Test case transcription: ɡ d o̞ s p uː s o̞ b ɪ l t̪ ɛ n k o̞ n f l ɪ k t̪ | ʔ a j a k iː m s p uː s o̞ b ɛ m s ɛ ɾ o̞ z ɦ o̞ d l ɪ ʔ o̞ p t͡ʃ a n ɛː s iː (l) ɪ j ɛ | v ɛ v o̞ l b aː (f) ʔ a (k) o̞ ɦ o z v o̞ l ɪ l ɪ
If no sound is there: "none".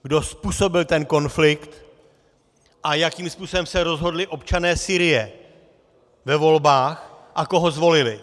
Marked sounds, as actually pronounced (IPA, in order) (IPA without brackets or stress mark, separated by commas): ɾ, x, k